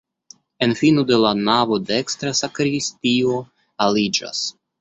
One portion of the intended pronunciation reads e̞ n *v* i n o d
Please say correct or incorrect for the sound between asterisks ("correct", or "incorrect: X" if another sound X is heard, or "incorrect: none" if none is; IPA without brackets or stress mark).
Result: incorrect: f